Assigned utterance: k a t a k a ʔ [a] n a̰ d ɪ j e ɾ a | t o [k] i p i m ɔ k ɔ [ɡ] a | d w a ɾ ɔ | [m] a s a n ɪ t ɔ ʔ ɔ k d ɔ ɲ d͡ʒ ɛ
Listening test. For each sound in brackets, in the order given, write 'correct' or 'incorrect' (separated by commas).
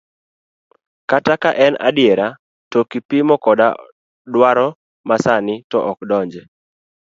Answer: incorrect, correct, incorrect, correct